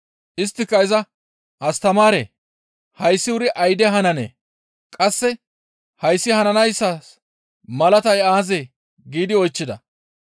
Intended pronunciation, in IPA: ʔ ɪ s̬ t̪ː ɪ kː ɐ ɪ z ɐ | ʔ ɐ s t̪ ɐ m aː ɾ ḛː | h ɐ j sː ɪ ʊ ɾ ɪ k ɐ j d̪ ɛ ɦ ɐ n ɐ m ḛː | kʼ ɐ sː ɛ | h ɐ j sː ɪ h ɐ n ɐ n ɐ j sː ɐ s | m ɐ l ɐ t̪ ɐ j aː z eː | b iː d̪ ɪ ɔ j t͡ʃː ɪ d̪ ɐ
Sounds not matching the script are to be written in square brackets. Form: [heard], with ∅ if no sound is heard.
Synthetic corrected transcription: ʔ ɪ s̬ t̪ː ɪ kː ɐ ɪ z ɐ | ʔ ɐ s t̪ ɐ m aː ɾ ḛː | h ɐ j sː ɪ ʊ ɾ ɪ [ʔ] ɐ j d̪ ɛ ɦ ɐ n ɐ [n] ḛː | kʼ ɐ sː ɛ | h ɐ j sː ɪ h ɐ n ɐ n ɐ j sː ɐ s | m ɐ l ɐ t̪ ɐ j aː z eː | [ɡ] iː d̪ ɪ ɔ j t͡ʃː ɪ d̪ ɐ